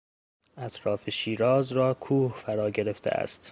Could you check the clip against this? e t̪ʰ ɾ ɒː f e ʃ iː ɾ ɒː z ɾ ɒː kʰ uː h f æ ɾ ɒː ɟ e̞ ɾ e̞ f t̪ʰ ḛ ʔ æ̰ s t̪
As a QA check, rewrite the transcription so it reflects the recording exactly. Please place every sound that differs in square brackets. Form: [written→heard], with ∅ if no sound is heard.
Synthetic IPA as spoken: [e→æ] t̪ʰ ɾ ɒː f e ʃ iː ɾ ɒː z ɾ ɒː kʰ uː h f æ ɾ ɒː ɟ e̞ ɾ e̞ f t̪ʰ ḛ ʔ æ̰ s t̪